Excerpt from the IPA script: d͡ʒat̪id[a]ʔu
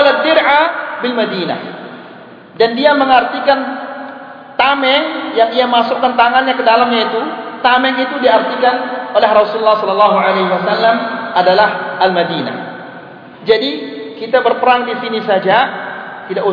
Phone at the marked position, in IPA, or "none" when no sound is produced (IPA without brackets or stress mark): a